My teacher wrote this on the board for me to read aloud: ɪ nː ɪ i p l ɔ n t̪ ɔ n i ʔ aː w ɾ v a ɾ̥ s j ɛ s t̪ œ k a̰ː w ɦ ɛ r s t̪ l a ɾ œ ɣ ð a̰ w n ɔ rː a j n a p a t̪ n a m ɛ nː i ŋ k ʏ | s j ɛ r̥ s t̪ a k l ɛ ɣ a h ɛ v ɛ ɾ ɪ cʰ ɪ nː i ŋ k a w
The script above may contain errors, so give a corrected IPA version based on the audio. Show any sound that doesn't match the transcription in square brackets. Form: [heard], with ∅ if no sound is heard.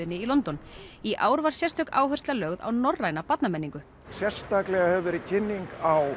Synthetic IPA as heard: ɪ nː ɪ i [∅] l ɔ n t̪ ɔ n i ʔ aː w ɾ v a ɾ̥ s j ɛ s t̪ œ k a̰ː w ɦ [œ] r s t̪ l a [l] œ ɣ ð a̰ w n ɔ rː a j n a p a t̪ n a m ɛ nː i ŋ k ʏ | s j ɛ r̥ s t̪ a k l ɛ ɣ a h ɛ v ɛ ɾ ɪ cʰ ɪ nː i ŋ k a w